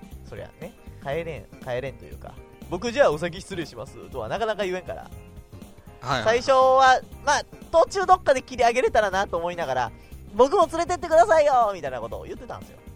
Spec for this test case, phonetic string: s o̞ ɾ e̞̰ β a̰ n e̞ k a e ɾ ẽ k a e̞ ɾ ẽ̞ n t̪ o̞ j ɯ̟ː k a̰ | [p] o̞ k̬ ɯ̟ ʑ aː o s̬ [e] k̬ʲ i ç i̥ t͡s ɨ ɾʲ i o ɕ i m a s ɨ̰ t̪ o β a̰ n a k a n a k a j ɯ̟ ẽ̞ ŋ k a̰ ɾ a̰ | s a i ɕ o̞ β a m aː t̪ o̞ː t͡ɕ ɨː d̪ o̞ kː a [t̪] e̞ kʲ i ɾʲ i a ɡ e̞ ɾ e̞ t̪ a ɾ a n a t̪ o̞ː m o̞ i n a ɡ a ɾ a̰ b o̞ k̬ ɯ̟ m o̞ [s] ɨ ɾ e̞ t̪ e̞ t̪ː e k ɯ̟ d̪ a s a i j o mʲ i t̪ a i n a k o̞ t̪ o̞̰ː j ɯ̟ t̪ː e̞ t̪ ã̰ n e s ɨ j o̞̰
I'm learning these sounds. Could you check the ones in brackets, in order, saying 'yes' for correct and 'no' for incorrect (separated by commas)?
no, no, no, no